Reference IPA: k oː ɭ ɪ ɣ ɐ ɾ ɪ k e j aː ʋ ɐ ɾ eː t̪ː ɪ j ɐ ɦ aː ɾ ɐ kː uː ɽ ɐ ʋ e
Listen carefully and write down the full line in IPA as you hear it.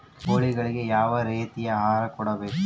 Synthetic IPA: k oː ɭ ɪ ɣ ɐ ɭ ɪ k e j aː ʋ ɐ ɾ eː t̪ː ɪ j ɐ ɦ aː ɾ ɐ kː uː ɽ ɐ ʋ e

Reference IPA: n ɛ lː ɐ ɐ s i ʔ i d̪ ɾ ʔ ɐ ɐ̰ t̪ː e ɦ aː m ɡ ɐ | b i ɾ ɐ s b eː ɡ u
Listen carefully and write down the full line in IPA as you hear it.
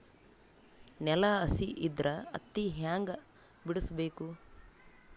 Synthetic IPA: n ɛ l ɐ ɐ s i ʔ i d̪ ɾ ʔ ɐ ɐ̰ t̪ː i ɦ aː ŋ ɡ ɐ | b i ɽ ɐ s b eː k u

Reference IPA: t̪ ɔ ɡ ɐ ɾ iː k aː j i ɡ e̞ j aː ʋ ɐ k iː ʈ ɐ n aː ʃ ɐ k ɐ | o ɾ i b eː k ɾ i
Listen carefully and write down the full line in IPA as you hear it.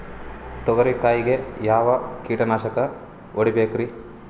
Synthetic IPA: t̪ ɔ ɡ ɐ ɾ i k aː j i ɡ e̞ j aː ʋ ɐ k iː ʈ ɐ n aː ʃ ɐ k ɐ | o ɽ i b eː k ɾ i

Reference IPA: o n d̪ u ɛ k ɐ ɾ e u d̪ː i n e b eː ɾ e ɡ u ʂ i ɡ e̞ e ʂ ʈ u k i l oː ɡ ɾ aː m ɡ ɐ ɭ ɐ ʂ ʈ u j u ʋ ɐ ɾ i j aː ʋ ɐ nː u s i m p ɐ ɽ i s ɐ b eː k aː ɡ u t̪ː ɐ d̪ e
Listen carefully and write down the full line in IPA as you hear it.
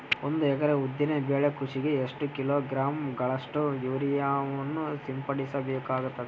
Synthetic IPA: o n d̪ u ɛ k ɐ ɾ e u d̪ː i n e b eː ɭ e k u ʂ i ɡ e̞ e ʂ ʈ u k i l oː ɡ ɾ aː m ɡ ɐ ɭ ɐ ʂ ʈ u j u ʋ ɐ ɾ i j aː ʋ ɐ nː u s i m p ɐ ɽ i s ɐ b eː k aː ɡ u t̪ː ɐ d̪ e

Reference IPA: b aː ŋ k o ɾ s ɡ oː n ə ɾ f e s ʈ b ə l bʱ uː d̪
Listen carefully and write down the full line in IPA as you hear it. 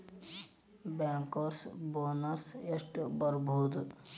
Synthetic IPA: b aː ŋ k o ɾ s b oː n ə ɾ s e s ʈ b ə ɾ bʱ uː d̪

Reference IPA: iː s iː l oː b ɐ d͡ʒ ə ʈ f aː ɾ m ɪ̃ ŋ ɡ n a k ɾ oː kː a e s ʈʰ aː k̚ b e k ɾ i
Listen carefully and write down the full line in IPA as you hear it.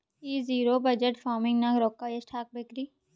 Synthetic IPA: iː z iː ɾ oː b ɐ d͡ʒ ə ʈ f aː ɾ m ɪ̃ ŋ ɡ n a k ɾ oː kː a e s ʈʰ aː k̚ b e k ɾ i

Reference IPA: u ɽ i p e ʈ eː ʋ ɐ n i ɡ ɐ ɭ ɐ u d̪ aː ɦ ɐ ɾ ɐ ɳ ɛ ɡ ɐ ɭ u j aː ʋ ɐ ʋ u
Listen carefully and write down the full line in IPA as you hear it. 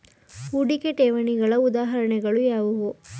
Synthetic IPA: u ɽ i k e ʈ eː ʋ ɐ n i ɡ ɐ ɭ ɐ u d̪ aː ɦ ɐ ɾ ɐ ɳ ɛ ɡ ɐ ɭ u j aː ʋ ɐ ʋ u

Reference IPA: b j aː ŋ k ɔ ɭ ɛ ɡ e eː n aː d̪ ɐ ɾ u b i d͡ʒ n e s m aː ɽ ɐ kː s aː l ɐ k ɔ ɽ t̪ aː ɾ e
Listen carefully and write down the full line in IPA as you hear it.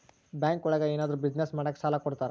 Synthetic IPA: b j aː ŋ k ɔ ɭ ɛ ɡ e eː n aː d̪ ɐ ɾ u b i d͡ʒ n e s m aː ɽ ɐ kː s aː l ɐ k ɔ ɽ t̪ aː ɾ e

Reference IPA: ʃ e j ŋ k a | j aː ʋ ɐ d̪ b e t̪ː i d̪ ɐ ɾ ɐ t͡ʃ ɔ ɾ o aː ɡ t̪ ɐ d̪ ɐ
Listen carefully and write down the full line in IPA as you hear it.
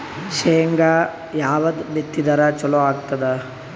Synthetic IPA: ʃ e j ŋ ɡ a | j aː ʋ ɐ d̪ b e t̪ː i d̪ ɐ ɾ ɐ t͡ʃ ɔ l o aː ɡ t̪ ɐ d̪ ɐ

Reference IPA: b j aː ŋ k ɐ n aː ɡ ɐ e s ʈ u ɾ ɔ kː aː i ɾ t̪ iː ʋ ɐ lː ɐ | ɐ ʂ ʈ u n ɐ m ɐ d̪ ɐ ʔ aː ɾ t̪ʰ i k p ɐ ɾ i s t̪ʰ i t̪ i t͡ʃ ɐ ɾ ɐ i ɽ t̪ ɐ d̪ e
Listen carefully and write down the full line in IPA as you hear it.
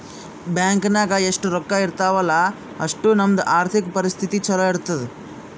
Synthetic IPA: b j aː ŋ k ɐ n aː ɡ ɐ e ʂ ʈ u ɾ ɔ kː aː i ɾ t̪ aː ʋ ɐ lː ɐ | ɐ ʂ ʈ u n ɐ m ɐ d̪ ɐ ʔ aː ɾ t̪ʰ i k p ɐ ɾ i s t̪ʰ i t̪ i t͡ʃ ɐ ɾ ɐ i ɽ t̪ ɐ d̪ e

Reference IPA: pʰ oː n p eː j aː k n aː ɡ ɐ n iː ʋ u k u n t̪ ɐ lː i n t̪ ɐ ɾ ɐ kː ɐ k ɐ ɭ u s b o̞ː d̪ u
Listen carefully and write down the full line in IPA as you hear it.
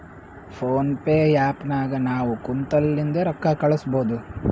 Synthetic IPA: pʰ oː n p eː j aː p n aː ɡ ɐ n aː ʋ u k u n t̪ ɐ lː i n d̪ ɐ ɾ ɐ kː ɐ k ɐ ɭ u s b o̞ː d̪ u

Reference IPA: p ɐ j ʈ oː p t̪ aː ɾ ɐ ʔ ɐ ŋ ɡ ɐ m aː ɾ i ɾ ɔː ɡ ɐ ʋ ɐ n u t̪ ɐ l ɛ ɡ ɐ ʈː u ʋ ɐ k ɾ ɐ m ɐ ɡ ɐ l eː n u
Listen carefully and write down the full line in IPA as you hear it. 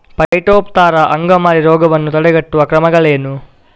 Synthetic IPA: p ɐ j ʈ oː p t̪ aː ɾ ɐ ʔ ɐ ŋ ɡ ɐ m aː ɾ i ɾ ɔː ɡ ɐ ʋ ɐ nː u t̪ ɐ ɽ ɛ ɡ ɐ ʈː u ʋ ɐ k ɾ ɐ m ɐ ɡ ɐ ɭ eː n u

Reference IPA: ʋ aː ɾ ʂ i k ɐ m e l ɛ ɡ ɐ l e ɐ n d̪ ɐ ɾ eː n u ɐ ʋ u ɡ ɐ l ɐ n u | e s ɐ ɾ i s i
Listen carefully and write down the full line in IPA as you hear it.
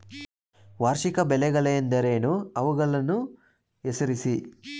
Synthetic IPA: ʋ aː ɾ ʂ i k ɐ b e l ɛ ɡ ɐ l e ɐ n d̪ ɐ ɾ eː n u ɐ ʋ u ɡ ɐ l ɐ n u | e s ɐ ɾ i s i

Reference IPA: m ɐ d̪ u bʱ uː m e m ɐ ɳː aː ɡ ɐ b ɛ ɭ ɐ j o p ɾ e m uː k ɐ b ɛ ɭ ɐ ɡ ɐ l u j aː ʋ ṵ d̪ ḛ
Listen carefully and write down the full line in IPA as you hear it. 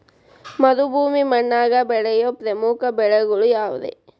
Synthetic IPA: m ɐ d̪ u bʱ uː m i m ɐ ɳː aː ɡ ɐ b ɛ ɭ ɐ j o p ɾ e m uː k ɐ b ɛ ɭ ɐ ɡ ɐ ɭ u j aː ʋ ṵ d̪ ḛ

